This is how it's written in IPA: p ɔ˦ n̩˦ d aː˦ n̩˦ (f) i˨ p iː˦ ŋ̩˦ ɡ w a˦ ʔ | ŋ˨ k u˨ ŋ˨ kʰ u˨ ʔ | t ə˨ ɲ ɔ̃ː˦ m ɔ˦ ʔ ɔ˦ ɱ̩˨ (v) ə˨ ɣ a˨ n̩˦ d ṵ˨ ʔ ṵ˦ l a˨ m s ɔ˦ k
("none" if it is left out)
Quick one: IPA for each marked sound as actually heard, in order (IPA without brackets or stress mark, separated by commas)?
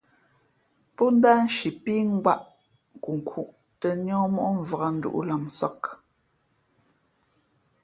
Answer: ʃ, v